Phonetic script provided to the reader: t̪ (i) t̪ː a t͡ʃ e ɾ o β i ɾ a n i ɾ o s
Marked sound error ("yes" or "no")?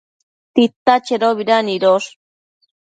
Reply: no